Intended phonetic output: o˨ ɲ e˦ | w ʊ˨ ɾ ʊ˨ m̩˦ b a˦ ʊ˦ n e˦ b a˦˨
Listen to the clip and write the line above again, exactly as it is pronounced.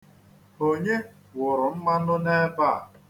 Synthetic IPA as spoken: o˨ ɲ e˦ | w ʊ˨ ɾ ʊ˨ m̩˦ m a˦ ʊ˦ n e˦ b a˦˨